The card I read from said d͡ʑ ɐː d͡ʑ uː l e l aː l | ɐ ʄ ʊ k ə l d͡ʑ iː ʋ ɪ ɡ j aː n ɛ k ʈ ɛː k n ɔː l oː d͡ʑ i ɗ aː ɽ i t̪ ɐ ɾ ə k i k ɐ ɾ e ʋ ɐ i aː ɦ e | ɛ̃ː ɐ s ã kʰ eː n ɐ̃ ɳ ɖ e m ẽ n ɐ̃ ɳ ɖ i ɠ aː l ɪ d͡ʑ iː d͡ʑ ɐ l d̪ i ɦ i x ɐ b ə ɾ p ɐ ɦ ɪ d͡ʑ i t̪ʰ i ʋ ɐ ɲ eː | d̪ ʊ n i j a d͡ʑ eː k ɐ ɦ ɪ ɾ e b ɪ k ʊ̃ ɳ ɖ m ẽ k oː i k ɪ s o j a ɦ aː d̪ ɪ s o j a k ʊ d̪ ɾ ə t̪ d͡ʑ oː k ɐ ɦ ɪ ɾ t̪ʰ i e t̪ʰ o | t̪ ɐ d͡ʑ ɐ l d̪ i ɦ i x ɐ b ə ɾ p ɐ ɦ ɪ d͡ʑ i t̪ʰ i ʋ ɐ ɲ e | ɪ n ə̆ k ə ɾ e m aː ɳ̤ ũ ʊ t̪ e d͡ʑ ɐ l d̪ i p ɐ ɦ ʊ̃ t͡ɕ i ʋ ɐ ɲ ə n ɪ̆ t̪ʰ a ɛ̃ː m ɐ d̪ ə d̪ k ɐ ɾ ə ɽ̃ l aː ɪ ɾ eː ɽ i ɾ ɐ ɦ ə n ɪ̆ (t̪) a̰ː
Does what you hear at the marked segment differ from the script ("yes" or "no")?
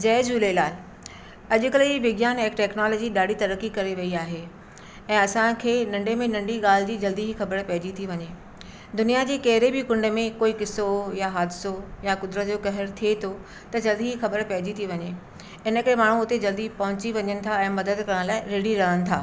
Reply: yes